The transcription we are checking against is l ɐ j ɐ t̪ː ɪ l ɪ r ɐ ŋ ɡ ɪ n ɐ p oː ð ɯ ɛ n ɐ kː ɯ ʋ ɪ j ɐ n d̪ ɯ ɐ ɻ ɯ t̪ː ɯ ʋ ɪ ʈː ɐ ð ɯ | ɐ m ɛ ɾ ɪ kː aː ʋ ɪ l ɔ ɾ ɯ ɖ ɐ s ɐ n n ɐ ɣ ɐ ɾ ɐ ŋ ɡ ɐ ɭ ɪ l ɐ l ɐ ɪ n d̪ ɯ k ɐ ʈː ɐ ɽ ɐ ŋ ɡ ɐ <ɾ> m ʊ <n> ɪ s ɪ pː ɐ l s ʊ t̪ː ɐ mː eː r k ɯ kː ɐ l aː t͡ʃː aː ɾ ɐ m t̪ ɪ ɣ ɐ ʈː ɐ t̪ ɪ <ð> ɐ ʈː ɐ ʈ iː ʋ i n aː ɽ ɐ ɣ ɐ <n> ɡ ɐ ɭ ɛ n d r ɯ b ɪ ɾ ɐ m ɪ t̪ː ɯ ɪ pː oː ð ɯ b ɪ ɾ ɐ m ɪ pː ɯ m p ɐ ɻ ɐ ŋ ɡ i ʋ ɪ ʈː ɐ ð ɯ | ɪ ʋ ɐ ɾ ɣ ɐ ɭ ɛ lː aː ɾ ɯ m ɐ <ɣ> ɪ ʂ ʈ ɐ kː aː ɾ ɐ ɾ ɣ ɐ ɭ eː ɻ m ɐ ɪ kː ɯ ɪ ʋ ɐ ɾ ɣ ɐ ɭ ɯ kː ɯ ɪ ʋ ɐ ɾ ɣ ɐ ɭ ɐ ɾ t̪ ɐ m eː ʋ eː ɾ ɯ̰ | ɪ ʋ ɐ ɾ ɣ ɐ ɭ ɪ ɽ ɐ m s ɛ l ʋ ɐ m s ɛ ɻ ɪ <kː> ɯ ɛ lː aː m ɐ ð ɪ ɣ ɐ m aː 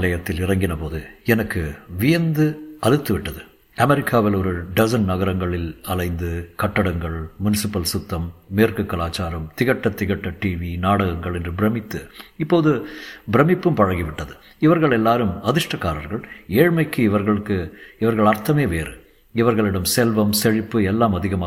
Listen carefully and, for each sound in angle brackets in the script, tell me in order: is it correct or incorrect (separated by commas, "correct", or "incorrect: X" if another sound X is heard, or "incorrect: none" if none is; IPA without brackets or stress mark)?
incorrect: ɭ, correct, incorrect: ɣ, incorrect: ŋ, incorrect: ð, incorrect: pː